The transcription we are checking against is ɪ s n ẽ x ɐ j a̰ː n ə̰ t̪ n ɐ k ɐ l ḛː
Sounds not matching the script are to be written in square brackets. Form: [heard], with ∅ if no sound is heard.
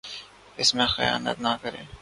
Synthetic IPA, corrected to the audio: ɪ s [m] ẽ x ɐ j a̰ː n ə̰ t̪ n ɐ k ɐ [ɾ] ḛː

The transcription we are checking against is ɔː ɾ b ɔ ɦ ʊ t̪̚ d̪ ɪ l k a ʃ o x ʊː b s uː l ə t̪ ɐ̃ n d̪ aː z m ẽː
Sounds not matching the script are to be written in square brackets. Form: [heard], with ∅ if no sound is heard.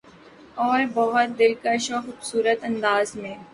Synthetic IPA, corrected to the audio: ɔː ɾ b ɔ ɦ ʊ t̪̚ d̪ ɪ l k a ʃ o x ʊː b s uː [ɾ] ə t̪ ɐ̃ n d̪ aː z m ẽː

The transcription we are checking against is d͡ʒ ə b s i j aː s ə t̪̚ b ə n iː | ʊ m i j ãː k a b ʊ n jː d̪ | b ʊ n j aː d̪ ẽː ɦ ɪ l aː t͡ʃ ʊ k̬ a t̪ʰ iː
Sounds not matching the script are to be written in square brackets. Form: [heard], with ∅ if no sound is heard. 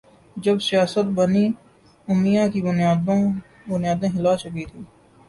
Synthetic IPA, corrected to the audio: d͡ʒ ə b s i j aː s ə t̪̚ b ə n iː | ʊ m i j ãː k [i] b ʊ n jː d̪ | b ʊ n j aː d̪ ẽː ɦ ɪ l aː t͡ʃ ʊ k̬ [i] t̪ʰ iː

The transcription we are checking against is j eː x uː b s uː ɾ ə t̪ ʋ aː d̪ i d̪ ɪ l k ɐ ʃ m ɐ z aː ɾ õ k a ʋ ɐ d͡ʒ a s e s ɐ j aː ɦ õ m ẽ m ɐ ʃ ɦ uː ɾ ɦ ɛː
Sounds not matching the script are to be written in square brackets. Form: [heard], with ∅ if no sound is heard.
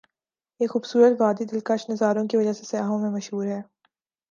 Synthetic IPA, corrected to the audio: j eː x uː b s uː ɾ ə t̪ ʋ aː d̪ i d̪ ɪ l k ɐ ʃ [n] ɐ z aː ɾ õ k [i] ʋ ɐ d͡ʒ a s e s ɐ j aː ɦ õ m ẽ m ɐ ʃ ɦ uː ɾ ɦ ɛː

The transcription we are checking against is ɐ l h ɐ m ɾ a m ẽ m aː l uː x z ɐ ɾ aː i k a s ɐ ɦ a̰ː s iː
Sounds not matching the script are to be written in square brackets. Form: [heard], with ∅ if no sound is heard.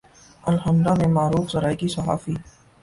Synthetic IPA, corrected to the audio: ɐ l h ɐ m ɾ a m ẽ m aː [ɾ] uː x z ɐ ɾ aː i k [i] s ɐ ɦ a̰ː [f] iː

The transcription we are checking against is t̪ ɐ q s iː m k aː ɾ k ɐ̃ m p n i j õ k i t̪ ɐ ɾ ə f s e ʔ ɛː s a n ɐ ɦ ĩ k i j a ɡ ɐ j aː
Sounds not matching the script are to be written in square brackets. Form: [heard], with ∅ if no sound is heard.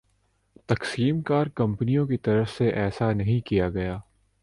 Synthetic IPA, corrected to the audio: t̪ ɐ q s iː m k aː ɾ k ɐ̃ m p n i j õ k i t̪ ɐ ɾ ə f s e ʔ ɛː s a n ɐ ɦ ĩ k i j a ɡ ɐ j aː

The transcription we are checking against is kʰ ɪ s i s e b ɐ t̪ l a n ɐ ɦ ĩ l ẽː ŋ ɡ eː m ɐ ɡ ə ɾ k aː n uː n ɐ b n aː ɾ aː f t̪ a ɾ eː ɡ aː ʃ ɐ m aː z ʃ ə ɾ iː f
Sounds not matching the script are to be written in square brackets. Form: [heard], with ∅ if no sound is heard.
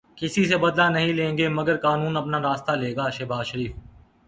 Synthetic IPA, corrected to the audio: [k] ɪ s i s e b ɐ [d̪] l a n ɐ ɦ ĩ l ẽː ŋ ɡ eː m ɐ ɡ ə ɾ k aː n uː n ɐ [p] n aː ɾ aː [s] t̪ a [l] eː ɡ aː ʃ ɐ [b] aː z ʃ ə ɾ iː f

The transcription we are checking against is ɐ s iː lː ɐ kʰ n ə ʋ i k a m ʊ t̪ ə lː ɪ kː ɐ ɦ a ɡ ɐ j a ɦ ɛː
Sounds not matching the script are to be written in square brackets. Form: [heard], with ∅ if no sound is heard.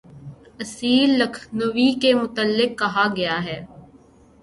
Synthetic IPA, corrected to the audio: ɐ s iː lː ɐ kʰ n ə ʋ i k [e] m ʊ t̪ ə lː ɪ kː ɐ ɦ a ɡ ɐ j a ɦ ɛː

